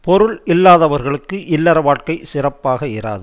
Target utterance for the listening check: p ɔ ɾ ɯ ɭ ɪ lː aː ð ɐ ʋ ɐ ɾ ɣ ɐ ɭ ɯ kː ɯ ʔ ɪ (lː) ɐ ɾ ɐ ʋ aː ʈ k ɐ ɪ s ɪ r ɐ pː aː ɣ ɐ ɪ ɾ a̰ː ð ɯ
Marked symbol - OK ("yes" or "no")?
yes